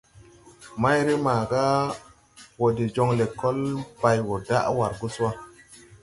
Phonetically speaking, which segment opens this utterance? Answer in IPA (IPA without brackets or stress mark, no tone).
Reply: m